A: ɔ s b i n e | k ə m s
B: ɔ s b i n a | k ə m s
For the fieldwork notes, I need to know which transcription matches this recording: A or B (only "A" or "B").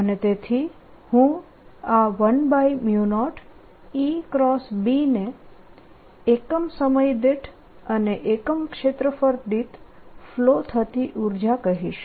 A